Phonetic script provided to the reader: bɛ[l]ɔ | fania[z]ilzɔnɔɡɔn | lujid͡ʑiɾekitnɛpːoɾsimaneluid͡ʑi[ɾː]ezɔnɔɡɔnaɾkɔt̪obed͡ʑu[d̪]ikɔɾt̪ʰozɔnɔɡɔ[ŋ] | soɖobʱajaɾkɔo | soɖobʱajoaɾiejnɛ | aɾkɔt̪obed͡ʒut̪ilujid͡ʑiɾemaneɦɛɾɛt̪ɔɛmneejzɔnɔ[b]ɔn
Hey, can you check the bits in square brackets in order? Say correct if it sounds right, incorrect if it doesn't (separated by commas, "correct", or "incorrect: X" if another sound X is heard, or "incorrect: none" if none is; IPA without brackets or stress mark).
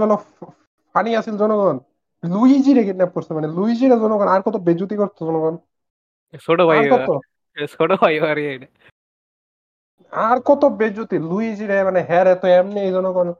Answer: correct, incorrect: s, incorrect: ɾ, incorrect: t̪, incorrect: n, incorrect: ɡ